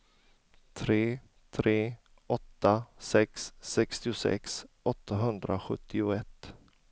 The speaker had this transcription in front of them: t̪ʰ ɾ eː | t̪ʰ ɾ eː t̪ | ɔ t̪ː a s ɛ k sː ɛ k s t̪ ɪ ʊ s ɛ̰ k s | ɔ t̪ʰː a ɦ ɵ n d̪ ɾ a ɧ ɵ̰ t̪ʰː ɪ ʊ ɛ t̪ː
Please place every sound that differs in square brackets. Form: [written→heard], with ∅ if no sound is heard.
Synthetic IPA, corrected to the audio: t̪ʰ ɾ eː | t̪ʰ ɾ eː [t̪→∅] | ɔ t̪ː a s ɛ k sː ɛ k s t̪ ɪ ʊ s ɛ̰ k s | ɔ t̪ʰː a ɦ ɵ n d̪ ɾ a ɧ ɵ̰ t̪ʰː ɪ ʊ ɛ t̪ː